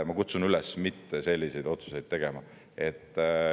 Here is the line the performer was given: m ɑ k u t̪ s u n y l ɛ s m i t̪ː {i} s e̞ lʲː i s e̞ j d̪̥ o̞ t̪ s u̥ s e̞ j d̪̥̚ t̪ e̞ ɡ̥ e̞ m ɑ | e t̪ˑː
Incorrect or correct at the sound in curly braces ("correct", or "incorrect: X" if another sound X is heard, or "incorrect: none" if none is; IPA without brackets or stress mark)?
incorrect: e